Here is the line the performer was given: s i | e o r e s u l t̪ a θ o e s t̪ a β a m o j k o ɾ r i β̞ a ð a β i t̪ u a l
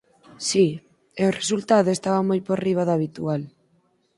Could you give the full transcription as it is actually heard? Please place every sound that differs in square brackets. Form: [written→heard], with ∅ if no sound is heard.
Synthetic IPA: s i | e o r e s u l t̪ a [θ→ð] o e s t̪ a β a m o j [k→p] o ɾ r i β̞ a ð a β i t̪ u a l